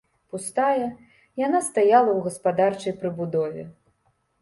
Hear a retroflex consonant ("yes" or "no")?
yes